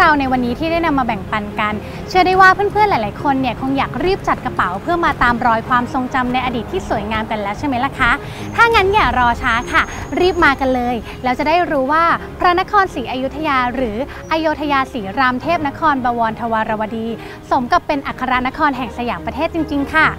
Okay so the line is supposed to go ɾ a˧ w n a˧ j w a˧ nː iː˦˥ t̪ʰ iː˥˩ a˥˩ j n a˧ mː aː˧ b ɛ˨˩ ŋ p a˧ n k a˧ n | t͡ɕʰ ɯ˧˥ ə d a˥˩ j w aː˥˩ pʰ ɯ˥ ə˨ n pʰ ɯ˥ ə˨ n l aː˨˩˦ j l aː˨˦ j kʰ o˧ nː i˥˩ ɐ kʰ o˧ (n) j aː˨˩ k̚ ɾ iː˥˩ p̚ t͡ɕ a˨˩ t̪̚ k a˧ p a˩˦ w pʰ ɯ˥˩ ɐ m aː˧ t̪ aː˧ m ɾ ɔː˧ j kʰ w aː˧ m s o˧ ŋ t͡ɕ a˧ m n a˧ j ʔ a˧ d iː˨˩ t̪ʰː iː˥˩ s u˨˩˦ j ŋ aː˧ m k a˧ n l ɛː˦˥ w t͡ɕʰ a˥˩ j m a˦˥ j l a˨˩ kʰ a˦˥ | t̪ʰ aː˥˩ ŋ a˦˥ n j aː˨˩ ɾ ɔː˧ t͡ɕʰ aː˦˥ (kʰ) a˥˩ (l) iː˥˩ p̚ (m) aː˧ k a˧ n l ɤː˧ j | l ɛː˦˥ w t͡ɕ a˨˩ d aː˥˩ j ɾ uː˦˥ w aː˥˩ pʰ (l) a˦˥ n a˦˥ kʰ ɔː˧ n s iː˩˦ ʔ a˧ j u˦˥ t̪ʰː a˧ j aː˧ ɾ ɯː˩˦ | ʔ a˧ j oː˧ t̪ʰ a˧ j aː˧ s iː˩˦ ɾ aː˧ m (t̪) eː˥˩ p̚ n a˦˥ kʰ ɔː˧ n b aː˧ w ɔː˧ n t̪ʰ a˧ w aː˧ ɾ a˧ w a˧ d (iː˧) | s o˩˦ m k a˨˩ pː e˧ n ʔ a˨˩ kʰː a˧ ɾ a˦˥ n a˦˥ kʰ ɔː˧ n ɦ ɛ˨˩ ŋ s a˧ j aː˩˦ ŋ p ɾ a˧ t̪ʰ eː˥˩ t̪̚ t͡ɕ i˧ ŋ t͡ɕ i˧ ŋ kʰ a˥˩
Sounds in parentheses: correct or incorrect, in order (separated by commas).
incorrect, correct, incorrect, correct, incorrect, incorrect, correct